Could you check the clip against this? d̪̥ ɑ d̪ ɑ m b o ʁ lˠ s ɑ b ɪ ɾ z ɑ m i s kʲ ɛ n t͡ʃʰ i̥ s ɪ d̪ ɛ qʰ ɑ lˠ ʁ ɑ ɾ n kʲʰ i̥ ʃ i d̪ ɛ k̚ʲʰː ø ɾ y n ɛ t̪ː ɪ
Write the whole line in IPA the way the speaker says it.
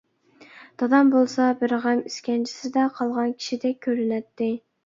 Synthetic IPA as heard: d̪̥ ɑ d̪ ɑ m b o lˠ s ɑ b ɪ ɾ ʁ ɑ m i s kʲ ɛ n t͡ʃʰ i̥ s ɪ d̪ ɛ qʰ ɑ lˠ ʁ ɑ n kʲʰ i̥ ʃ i d̪ ɛ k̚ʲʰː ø ɾ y n ɛ t̪ː ɪ